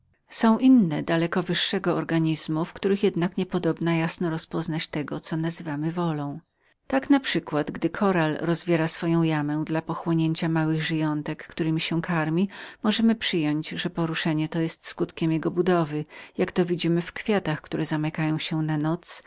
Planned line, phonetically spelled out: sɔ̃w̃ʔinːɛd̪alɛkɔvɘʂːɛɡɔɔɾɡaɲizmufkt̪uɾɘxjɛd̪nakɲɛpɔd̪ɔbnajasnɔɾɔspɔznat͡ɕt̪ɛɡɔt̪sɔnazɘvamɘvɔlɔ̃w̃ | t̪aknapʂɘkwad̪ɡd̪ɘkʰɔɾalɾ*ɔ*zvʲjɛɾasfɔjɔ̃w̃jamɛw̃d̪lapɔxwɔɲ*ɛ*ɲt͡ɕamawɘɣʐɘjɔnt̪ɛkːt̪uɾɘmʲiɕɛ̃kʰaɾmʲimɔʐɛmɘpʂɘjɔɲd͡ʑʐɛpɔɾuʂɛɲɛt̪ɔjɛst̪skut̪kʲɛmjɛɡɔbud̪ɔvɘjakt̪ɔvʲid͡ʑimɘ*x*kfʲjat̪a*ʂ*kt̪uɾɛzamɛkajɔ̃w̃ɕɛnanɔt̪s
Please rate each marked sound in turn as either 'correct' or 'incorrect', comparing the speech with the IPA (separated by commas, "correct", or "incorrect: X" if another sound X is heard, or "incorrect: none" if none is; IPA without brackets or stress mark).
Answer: correct, incorrect: e, incorrect: f, incorrect: x